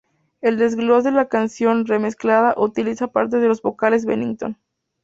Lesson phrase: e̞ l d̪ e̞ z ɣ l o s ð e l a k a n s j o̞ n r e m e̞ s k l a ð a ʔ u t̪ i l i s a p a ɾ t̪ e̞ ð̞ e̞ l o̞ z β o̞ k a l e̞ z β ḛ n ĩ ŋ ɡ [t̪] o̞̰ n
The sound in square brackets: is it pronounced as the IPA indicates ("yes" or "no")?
yes